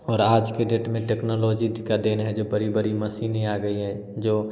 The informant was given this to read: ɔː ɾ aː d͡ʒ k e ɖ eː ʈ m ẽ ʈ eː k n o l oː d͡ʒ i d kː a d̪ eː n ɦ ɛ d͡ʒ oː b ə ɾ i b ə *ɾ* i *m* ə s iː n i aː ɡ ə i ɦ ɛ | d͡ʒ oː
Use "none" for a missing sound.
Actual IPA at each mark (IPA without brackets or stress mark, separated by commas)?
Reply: ɾ, m